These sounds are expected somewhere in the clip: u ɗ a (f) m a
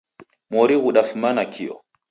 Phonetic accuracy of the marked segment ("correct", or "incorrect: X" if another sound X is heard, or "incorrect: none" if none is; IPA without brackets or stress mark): correct